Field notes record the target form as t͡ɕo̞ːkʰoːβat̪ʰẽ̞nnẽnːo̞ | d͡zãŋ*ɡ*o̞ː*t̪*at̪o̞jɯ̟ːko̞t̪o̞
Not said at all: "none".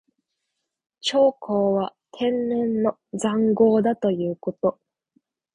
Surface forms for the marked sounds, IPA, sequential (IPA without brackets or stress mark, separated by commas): ɡ, d̪